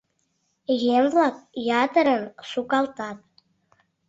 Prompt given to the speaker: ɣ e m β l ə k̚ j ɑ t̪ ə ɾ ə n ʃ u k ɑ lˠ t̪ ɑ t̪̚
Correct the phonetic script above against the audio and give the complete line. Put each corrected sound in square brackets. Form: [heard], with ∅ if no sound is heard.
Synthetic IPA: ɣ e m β l [ɑ] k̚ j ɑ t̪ ə ɾ ə n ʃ u k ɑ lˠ t̪ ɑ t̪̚